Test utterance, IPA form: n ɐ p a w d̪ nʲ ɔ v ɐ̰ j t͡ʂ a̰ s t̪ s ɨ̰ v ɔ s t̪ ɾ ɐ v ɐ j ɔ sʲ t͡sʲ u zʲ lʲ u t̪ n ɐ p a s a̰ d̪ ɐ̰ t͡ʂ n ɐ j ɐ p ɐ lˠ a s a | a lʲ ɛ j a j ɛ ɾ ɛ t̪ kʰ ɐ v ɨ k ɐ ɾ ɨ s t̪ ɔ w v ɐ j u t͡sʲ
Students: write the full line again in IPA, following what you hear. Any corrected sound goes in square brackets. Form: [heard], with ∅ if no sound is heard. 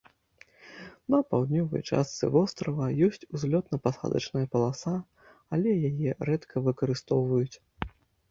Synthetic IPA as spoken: n ɐ p a w d̪ nʲ ɔ v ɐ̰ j t͡ʂ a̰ s t̪ s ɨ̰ v ɔ s t̪ ɾ ɐ v ɐ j ɔ sʲ t͡sʲ u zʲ lʲ [ɔ] t̪ n ɐ p a s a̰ d̪ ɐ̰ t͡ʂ n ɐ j ɐ p ɐ lˠ a s a | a lʲ ɛ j a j ɛ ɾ ɛ t̪ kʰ ɐ v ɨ k ɐ ɾ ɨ s t̪ ɔ w v ɐ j u t͡sʲ